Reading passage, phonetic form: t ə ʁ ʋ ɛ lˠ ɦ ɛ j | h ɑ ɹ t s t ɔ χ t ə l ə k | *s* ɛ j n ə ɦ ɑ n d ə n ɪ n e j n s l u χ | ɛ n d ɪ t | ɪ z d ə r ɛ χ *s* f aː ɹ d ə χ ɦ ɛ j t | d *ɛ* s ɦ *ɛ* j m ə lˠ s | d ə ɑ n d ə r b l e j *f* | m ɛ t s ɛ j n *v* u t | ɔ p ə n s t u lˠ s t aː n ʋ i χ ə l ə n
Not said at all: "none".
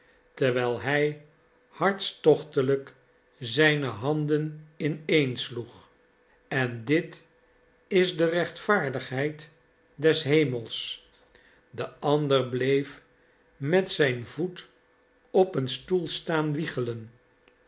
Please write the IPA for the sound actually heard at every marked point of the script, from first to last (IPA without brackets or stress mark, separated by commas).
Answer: z, t, ɛ, e, f, v